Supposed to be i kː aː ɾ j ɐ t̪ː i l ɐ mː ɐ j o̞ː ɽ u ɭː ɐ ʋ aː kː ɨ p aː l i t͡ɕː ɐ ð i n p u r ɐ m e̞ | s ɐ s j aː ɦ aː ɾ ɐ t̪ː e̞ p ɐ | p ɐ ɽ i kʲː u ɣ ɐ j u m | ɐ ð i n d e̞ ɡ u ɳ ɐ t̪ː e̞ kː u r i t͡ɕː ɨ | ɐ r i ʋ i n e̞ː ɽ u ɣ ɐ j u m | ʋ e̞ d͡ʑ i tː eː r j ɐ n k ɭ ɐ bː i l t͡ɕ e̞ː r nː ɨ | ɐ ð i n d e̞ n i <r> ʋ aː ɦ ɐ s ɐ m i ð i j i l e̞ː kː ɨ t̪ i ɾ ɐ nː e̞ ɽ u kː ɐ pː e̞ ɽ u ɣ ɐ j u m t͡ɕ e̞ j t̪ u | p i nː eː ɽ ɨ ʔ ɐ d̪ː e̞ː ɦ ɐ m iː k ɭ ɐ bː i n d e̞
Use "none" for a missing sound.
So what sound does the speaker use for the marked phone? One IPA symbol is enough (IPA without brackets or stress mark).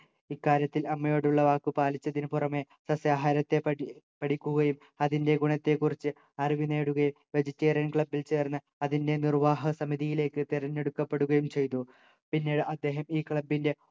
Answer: r